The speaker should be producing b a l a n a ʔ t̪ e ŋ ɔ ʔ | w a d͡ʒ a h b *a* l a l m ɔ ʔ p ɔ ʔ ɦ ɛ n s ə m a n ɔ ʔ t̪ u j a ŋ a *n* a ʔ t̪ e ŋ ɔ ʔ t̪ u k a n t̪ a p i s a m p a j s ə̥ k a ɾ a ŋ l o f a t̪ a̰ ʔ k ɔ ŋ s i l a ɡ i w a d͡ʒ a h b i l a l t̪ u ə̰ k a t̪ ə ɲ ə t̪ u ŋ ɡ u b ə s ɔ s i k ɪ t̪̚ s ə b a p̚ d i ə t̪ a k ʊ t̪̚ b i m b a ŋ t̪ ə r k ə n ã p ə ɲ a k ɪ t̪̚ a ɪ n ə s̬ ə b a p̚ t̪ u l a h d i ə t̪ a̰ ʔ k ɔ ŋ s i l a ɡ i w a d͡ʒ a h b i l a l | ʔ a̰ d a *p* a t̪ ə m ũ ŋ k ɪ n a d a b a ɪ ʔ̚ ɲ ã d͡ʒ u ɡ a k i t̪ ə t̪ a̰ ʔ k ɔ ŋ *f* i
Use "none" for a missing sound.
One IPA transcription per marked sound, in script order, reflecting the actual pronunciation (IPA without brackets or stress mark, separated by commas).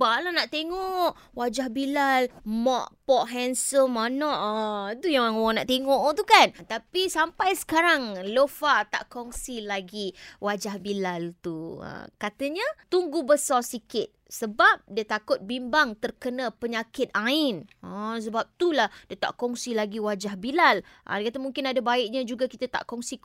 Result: i, n, k, s